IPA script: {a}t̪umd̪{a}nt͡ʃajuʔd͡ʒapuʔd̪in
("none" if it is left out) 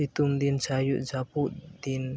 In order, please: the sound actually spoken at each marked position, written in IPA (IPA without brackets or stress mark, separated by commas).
i, i